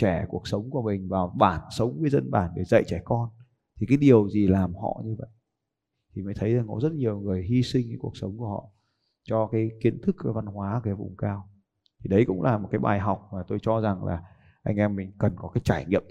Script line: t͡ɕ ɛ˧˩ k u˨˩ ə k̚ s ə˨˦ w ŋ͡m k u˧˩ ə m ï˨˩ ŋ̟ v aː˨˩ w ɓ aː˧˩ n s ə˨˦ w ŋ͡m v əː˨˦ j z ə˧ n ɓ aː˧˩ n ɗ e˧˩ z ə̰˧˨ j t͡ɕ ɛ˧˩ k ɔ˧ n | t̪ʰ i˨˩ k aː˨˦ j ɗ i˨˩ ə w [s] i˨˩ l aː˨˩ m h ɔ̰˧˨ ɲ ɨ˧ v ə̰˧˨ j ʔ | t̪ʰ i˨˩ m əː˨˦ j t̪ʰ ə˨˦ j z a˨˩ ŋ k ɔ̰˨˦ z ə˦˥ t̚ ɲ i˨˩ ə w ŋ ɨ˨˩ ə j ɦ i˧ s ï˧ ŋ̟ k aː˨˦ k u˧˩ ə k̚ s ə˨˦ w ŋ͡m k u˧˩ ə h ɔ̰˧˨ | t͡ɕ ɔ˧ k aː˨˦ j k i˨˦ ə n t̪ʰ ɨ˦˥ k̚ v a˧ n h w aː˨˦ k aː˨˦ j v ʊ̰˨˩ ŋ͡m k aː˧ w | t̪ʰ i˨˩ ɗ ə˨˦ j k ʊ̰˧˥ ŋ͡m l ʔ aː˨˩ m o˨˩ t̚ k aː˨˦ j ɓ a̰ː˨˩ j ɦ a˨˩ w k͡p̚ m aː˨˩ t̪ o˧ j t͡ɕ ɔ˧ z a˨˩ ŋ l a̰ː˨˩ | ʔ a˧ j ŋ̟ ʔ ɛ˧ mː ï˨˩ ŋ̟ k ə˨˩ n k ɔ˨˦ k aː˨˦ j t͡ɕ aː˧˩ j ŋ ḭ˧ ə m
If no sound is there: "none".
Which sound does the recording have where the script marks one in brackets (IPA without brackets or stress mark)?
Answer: z